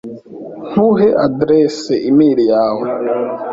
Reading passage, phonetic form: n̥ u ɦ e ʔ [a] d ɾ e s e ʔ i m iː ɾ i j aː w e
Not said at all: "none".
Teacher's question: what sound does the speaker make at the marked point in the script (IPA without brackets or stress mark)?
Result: a